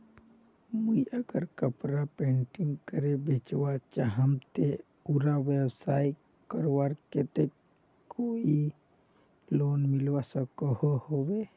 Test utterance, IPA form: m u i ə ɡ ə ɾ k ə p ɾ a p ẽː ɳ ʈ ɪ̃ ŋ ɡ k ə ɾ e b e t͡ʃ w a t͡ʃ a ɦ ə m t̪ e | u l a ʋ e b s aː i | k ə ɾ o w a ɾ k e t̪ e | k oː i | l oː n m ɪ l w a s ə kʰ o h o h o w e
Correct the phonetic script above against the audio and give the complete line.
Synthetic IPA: m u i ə ɡ ə ɾ k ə p ɾ a p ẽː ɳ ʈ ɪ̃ ŋ ɡ k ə ɾ e b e t͡ʃ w a t͡ʃ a ɦ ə m t̪ e | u ɾ a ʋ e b s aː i | k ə ɾ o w a ɾ k e t̪ e | k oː i | l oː n m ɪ l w a s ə k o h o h o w e